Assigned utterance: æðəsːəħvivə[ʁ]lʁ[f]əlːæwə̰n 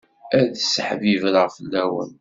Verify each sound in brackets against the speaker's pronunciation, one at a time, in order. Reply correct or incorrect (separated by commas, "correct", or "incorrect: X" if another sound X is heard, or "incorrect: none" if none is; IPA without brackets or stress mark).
incorrect: none, correct